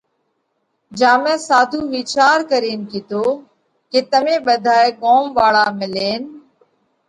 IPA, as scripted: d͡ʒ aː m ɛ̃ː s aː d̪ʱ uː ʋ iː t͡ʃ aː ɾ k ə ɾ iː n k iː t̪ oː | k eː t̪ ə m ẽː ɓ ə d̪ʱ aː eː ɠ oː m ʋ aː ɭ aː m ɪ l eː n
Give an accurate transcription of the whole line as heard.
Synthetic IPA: d͡ʒ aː m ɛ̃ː s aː d̪ʱ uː ʋ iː t͡ʃ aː ɾ k ə ɾ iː n k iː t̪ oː | k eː t̪ ə m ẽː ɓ ə d̪ʱ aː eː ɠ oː m ʋ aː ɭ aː m ɪ l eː n